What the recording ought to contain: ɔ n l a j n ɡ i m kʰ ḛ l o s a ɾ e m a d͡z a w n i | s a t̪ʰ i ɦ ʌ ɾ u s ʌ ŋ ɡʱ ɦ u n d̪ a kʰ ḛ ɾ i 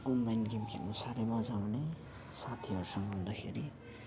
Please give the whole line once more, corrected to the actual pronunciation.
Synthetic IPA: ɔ n l a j n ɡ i m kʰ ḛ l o s a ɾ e m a d͡z a w n e | s a t̪ʰ i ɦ ʌ ɾ u s ʌ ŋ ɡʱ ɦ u n d̪ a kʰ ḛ ɾ i